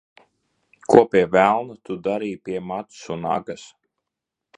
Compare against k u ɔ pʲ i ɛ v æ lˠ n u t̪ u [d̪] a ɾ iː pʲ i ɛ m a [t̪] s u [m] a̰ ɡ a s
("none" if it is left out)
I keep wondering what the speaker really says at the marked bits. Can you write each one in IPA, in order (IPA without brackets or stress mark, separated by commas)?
d̪, t̪, n